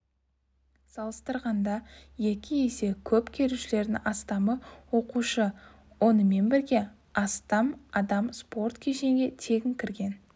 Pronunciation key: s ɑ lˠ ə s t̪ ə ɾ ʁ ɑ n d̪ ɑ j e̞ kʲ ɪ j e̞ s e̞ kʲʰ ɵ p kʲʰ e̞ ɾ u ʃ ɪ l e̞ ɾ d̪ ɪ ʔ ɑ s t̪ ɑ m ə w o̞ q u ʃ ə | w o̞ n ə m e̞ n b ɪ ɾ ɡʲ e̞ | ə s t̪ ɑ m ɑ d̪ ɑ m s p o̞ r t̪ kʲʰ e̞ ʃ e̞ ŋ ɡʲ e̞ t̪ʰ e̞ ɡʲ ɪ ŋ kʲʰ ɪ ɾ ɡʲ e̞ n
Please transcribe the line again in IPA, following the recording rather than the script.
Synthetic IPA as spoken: s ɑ lˠ ə s t̪ ə ɾ ʁ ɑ n d̪ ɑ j e̞ kʲ ɪ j e̞ s e̞ kʲʰ ɵ p kʲʰ e̞ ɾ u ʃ ɪ l e̞ ɾ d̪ ɪ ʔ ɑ s t̪ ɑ m ə w o̞ q u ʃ ə | w o̞ n ə m e̞ n b ɪ ɾ ɡʲ e̞ | ɑ s t̪ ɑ m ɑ d̪ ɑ m s p o̞ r t̪ kʲʰ e̞ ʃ e̞ ŋ ɡʲ e̞ t̪ʰ e̞ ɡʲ ɪ ŋ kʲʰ ɪ ɾ ɡʲ e̞ n